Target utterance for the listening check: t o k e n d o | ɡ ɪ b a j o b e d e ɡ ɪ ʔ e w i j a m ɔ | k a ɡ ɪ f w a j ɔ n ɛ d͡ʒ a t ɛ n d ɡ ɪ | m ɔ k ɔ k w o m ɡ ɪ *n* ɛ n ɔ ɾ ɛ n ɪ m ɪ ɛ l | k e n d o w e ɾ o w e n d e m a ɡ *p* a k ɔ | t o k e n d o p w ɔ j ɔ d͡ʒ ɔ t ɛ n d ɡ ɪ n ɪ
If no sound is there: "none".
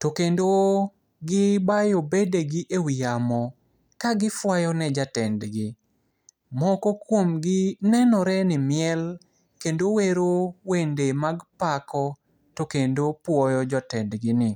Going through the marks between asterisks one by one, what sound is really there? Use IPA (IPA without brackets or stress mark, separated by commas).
n, p